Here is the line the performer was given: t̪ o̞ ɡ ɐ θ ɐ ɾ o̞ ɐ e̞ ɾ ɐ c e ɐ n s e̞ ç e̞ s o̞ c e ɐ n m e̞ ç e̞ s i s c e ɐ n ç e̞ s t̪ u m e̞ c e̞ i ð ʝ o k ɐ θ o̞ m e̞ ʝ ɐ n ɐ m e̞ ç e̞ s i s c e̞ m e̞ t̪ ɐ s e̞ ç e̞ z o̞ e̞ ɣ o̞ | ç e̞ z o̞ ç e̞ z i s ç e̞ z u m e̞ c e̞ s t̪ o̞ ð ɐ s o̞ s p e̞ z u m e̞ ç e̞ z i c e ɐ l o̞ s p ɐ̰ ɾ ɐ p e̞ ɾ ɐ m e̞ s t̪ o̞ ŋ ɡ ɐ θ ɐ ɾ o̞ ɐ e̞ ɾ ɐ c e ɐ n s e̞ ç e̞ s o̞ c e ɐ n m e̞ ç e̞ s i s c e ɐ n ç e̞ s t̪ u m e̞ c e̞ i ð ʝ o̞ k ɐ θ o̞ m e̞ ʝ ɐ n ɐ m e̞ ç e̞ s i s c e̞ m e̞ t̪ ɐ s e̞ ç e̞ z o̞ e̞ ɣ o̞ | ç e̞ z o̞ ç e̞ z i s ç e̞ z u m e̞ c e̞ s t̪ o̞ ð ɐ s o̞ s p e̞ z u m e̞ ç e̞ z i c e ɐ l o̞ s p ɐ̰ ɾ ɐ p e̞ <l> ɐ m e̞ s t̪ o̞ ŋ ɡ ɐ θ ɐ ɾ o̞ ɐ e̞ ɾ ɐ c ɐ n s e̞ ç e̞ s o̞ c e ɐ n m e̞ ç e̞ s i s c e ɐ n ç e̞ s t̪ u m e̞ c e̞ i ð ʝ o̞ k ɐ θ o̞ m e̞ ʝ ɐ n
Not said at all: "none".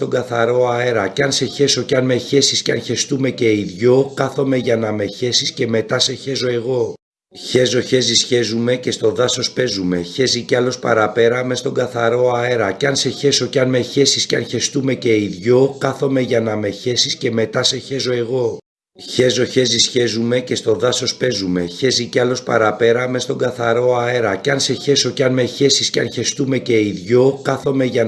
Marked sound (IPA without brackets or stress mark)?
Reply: ɾ